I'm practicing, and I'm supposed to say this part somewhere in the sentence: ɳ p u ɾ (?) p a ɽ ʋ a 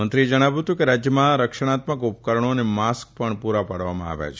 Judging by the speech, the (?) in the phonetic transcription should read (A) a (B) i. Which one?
A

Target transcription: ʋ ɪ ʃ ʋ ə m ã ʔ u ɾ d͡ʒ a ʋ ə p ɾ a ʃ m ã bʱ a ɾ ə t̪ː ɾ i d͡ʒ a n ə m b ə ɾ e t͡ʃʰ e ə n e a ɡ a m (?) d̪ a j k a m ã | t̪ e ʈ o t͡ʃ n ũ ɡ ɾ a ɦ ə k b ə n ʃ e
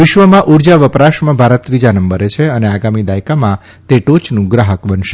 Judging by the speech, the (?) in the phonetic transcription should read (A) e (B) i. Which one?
B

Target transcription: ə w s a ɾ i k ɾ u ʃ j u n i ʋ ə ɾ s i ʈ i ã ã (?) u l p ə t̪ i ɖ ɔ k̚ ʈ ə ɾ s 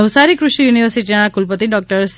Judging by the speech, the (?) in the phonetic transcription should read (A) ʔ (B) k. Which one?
B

